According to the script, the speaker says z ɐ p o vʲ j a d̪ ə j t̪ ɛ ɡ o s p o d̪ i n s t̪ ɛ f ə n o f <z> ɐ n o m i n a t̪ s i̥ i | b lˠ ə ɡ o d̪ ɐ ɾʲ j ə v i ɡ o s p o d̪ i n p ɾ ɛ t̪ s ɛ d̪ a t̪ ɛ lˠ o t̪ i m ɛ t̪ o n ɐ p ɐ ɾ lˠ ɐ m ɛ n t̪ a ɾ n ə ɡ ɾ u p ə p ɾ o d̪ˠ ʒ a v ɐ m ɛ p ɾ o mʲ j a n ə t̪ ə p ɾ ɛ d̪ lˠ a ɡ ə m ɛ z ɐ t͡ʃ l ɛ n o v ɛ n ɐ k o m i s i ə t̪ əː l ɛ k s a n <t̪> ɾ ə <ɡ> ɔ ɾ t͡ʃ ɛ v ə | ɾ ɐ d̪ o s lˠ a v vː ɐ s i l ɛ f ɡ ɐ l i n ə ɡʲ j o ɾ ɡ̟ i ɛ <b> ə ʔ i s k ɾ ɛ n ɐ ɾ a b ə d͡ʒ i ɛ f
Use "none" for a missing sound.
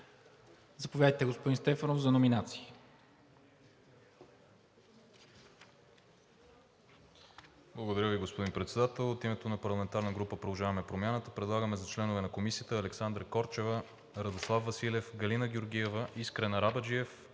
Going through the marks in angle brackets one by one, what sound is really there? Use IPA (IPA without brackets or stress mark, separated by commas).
z, d̪, k, v